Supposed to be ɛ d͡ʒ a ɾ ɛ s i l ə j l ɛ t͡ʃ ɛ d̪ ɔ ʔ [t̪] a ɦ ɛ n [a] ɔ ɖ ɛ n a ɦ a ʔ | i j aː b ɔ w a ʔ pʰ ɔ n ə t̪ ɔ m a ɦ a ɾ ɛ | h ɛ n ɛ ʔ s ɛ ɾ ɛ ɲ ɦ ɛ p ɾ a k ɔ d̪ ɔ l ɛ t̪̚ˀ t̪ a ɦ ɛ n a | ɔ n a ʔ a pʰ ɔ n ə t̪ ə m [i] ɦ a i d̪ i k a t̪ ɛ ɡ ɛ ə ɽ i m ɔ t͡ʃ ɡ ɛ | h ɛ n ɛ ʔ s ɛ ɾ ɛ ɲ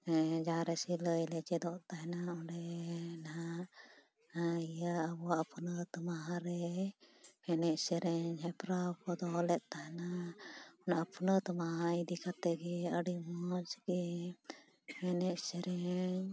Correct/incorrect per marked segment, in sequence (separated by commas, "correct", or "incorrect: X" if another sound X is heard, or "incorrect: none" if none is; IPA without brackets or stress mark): correct, correct, incorrect: a